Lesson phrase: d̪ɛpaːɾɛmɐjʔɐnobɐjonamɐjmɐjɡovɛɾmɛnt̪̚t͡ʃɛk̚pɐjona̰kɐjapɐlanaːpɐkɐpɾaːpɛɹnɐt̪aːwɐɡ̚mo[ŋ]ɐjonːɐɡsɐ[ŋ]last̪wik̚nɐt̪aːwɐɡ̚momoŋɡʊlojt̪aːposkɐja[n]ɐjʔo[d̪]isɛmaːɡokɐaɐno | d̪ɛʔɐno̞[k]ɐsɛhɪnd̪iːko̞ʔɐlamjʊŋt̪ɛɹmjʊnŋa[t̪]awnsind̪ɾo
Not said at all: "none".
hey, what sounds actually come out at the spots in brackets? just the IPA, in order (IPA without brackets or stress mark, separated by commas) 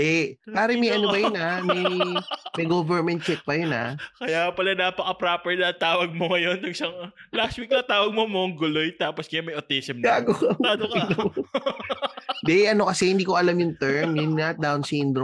ŋ, ŋ, m, t̪, k, d̪